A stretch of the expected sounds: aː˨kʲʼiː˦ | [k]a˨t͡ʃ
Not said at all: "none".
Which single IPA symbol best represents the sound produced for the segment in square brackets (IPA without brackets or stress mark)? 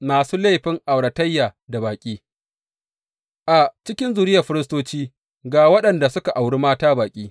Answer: ʔ